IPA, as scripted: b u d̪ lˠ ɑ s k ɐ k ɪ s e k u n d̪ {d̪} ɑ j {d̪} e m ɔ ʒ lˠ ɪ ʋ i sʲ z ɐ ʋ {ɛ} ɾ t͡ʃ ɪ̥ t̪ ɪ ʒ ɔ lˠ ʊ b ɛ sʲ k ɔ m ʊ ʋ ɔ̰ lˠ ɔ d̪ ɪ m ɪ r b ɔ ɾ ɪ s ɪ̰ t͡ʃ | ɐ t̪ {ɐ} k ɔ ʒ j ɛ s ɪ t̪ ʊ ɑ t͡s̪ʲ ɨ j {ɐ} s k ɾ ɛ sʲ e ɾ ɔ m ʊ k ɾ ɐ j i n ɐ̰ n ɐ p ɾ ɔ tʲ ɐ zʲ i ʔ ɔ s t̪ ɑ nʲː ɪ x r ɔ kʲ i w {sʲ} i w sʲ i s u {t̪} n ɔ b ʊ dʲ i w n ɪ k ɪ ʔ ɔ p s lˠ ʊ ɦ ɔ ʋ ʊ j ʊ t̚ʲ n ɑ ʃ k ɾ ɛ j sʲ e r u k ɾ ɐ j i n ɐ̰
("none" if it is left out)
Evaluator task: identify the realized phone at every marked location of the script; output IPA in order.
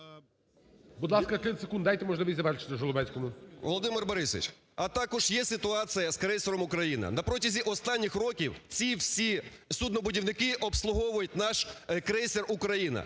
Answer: d̪, t̪, ɛ, ɑ, ɐ, t͡sʲ, d̪

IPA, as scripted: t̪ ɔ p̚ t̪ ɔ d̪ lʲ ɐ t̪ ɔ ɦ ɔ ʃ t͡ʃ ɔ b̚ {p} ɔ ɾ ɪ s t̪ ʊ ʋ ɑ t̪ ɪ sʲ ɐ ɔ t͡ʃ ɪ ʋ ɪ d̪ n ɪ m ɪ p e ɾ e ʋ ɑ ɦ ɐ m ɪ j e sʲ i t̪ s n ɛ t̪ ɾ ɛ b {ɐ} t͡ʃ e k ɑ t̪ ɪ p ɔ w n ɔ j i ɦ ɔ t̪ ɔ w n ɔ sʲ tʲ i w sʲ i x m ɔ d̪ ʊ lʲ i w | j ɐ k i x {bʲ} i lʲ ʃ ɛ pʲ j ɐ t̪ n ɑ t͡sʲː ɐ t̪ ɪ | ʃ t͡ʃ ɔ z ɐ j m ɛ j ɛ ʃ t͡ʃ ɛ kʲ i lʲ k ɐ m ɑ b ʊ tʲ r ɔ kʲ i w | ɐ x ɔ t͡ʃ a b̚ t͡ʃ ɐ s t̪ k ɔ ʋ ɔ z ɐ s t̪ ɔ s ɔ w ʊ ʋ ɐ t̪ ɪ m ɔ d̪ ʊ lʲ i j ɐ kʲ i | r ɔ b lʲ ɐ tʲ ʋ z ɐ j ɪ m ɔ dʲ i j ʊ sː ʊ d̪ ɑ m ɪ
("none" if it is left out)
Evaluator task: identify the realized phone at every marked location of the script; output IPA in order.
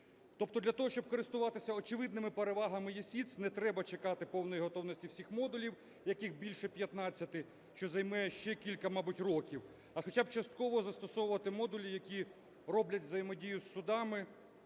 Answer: k, ɐ, bʲ

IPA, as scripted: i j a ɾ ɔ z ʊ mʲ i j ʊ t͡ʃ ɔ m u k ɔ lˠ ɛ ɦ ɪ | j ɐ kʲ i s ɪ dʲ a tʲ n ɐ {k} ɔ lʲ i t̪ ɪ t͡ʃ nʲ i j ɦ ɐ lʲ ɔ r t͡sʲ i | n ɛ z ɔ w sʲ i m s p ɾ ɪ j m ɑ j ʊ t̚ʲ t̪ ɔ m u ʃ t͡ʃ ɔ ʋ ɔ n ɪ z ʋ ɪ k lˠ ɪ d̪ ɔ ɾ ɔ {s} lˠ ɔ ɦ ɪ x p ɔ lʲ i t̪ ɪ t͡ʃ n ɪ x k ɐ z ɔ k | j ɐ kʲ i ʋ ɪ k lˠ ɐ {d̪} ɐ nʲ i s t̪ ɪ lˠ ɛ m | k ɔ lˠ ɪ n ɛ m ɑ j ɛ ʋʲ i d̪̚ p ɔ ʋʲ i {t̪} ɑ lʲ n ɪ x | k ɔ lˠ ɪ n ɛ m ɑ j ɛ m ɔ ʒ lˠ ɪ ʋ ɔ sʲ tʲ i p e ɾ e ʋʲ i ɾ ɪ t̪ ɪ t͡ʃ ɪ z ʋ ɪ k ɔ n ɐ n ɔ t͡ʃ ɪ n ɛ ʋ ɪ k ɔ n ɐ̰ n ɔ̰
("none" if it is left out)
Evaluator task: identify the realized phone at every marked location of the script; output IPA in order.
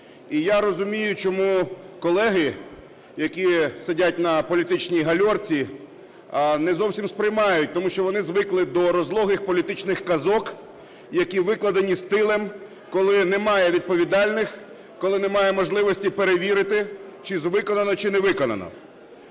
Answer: p, z, d̪, d̪

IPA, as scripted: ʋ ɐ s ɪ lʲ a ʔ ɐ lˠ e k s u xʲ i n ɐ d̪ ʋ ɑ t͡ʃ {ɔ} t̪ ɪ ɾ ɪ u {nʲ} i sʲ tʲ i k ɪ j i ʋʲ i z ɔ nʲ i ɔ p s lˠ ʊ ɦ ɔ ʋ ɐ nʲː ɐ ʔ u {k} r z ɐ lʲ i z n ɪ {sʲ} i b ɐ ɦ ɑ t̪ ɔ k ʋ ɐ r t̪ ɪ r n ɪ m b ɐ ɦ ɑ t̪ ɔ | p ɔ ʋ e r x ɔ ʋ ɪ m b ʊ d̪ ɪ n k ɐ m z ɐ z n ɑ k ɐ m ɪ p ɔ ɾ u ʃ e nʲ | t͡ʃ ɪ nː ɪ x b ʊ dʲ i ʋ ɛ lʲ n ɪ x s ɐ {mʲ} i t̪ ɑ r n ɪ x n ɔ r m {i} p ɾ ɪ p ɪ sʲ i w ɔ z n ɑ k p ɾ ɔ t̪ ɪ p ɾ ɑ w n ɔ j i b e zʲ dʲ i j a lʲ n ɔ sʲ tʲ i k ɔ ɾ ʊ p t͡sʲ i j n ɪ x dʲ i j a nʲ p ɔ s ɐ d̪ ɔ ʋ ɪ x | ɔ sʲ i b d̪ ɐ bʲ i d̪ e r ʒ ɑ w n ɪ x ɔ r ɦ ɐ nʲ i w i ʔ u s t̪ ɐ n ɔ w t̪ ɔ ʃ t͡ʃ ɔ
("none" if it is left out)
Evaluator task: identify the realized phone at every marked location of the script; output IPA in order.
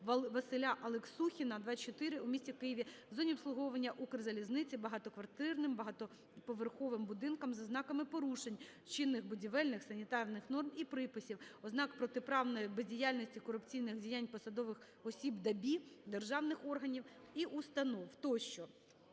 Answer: ɔ, mʲ, k, t͡sʲ, nʲ, i

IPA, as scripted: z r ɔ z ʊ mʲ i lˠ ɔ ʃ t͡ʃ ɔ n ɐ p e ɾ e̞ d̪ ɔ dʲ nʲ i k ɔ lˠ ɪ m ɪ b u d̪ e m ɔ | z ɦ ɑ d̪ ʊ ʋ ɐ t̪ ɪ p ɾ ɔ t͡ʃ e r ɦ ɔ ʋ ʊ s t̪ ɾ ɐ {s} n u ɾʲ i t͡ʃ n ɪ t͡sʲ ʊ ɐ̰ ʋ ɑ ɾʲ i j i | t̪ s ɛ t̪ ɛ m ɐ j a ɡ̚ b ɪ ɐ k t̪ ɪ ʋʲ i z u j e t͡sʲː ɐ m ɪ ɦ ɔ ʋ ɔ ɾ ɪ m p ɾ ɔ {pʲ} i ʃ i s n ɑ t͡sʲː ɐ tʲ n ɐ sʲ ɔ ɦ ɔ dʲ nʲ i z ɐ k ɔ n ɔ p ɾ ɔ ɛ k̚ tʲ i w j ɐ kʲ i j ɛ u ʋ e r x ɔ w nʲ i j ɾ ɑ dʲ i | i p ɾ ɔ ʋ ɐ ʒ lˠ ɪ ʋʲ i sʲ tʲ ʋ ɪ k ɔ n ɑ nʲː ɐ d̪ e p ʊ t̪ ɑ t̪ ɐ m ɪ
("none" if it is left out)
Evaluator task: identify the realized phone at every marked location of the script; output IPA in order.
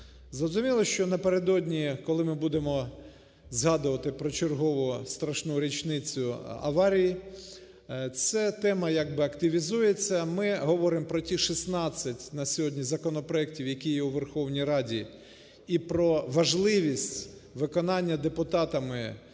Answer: ʃ, tʲ

